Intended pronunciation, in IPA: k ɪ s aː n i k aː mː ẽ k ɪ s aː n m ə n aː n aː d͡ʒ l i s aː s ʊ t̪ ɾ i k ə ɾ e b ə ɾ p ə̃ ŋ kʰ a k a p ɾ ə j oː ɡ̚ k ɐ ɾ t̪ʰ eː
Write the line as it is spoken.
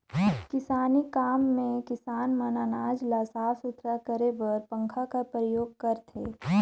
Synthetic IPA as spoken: k ɪ s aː n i k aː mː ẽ k ɪ s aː n m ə n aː n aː d͡ʒ l a s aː s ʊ t̪ ɾ a k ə ɾ e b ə ɾ p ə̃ ŋ kʰ a k a p ɾ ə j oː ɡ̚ k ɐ ɾ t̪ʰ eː